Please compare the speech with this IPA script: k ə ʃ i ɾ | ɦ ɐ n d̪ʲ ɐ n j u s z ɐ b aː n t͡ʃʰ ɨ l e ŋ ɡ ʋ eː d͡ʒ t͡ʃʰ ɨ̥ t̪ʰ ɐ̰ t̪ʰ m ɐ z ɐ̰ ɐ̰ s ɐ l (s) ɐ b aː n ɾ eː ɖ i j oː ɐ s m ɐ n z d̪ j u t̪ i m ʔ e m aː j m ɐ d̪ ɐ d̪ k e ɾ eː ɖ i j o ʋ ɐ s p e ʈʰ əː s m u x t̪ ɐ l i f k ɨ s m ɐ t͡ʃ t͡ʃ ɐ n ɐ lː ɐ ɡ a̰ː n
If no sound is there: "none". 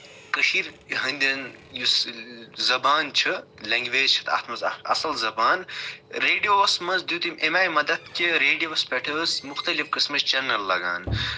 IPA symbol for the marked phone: z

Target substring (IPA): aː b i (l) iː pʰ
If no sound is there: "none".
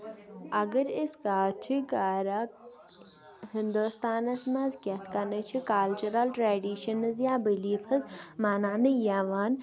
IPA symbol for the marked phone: l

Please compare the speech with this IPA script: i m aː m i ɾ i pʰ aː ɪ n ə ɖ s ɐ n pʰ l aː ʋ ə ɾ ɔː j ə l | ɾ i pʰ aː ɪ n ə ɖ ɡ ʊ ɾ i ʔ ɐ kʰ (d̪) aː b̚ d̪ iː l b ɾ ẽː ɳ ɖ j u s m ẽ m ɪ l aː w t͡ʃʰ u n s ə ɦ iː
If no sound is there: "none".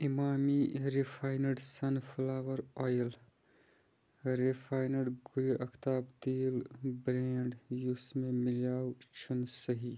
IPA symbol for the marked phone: t̪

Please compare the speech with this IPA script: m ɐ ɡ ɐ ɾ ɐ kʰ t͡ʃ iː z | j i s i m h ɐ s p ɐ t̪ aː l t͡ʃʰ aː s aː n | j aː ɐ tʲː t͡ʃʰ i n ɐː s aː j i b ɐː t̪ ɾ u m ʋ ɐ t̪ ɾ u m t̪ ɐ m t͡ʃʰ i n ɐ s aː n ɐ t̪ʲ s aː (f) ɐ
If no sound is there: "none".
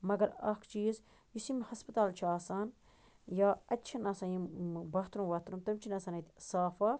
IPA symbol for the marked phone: f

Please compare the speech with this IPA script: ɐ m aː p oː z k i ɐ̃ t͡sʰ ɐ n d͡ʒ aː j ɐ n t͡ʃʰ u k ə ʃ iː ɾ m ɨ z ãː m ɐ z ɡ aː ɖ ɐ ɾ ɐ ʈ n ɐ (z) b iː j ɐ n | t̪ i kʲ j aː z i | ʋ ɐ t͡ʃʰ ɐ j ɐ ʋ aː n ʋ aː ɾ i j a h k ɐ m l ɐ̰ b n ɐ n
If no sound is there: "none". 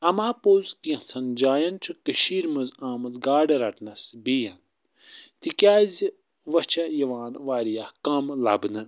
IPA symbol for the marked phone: s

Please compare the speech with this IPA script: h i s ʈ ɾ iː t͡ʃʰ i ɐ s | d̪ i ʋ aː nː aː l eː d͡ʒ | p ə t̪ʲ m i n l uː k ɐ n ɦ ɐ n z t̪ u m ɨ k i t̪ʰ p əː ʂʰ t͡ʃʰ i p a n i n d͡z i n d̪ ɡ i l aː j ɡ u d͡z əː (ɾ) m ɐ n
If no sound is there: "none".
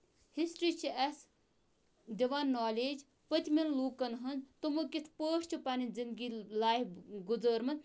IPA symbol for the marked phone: ɾ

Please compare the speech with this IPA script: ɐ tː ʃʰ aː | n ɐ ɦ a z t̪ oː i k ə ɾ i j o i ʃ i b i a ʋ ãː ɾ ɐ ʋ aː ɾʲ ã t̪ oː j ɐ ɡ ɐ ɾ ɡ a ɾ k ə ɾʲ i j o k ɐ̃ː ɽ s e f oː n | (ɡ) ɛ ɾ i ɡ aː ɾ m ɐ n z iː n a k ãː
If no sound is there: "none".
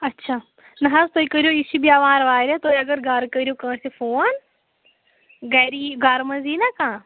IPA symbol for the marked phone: ɡ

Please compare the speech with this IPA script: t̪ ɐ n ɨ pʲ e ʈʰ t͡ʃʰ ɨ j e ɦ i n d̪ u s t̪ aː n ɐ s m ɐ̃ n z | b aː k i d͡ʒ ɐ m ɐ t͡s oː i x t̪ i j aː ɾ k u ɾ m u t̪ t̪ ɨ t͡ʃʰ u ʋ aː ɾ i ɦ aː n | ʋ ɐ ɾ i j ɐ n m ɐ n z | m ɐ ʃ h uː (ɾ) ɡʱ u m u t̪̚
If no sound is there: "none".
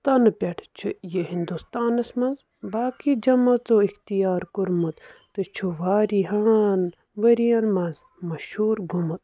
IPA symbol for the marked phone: ɾ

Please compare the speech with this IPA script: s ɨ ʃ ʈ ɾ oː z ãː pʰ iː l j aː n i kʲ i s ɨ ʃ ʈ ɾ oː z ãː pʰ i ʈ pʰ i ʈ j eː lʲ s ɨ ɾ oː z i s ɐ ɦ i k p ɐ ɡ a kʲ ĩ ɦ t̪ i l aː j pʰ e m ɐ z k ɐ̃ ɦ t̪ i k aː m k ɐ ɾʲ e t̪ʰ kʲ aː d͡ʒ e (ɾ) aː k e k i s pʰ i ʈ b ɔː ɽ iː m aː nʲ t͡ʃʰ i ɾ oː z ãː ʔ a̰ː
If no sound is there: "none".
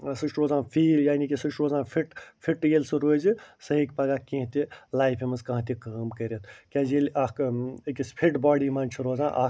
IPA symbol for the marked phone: l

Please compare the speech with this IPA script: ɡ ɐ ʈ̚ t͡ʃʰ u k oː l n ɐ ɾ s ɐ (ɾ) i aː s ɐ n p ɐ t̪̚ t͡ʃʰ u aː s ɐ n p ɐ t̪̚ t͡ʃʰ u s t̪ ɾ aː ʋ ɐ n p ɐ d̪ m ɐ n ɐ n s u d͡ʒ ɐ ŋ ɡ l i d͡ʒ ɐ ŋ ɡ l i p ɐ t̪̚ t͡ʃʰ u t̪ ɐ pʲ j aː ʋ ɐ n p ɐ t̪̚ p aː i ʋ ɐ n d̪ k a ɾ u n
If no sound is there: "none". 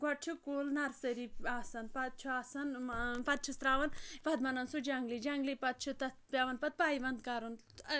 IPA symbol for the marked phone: ɾ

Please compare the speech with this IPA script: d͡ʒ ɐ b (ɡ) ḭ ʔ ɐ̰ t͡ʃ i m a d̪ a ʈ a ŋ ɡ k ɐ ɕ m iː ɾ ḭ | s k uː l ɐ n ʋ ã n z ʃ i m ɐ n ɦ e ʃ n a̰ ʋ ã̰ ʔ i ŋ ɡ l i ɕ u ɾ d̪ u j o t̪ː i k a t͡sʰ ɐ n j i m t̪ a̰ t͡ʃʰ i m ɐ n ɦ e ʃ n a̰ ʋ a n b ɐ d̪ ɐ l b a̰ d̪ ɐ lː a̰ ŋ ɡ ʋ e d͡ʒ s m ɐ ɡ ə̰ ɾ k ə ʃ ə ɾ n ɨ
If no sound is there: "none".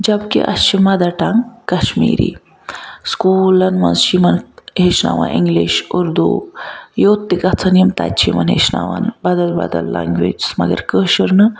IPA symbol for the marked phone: k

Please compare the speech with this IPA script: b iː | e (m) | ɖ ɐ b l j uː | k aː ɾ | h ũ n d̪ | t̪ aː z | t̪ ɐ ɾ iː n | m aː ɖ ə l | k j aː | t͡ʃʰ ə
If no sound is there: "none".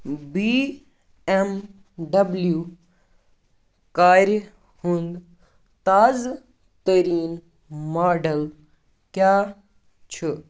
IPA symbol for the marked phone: m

